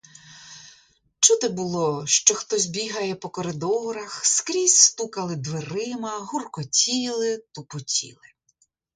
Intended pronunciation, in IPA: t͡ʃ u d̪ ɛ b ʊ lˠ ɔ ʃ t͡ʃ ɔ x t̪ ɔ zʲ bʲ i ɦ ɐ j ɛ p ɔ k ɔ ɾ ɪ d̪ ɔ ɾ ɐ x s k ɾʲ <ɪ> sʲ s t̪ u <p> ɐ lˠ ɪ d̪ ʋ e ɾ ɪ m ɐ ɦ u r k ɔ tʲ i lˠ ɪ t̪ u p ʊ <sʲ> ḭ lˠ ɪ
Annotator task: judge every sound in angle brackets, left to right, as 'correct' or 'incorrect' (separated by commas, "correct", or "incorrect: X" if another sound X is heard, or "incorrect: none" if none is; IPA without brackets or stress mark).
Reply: incorrect: i, incorrect: k, incorrect: tʲ